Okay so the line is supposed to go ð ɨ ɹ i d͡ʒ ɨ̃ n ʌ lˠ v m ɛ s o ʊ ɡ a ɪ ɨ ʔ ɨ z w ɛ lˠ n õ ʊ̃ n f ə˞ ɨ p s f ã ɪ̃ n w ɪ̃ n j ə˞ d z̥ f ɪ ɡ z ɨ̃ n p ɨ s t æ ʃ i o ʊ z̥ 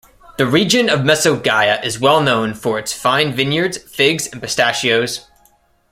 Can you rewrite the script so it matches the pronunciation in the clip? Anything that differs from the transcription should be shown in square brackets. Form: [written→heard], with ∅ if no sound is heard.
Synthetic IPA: ð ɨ ɹ i d͡ʒ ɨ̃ n ʌ [lˠ→∅] v m ɛ s o ʊ ɡ a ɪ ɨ ʔ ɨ z w ɛ lˠ n õ ʊ̃ n f ə˞ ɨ [p→t] s f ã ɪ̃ n [w→v] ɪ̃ n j ə˞ d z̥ f ɪ ɡ z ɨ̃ n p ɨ s t æ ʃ i o ʊ z̥